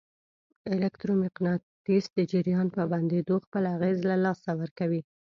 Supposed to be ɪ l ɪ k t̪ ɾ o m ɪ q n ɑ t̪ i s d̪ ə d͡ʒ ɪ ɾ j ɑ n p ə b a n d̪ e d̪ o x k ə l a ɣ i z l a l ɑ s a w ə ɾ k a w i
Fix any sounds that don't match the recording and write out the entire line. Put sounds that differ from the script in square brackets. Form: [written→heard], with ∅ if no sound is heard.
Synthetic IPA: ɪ l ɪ k t̪ ɾ o m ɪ q n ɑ t̪ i s d̪ ə d͡ʒ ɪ ɾ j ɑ n p ə b a n d̪ e d̪ o x [k→p] ə l a ɣ [i→e] z l a l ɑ s a w ə ɾ k a w i